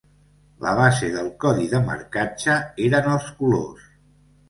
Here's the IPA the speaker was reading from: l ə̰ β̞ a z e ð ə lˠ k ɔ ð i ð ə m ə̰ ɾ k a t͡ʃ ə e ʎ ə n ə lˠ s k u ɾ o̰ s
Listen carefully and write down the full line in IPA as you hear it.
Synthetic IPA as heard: l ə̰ β̞ a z e ð ə lˠ k ɔ ð i ð ə m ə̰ ɾ k a t͡ʃ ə e ɾ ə n ə lˠ s k u l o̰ s